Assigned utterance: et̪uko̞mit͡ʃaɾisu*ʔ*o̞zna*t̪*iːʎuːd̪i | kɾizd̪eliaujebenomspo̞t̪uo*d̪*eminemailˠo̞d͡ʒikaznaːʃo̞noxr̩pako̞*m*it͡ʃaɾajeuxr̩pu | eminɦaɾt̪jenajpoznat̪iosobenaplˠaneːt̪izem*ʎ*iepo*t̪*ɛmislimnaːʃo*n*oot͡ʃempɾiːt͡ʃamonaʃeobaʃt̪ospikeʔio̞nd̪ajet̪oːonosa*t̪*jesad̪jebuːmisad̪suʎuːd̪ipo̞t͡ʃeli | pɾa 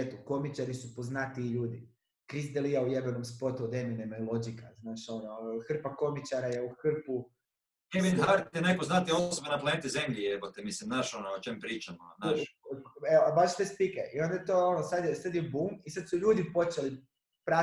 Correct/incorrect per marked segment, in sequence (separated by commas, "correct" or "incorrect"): incorrect, correct, correct, correct, correct, correct, correct, incorrect